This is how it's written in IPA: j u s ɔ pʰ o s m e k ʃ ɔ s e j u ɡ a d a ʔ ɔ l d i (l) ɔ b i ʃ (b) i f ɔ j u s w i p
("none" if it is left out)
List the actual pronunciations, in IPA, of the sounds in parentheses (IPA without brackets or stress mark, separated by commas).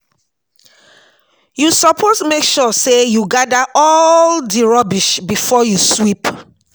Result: ɹ, b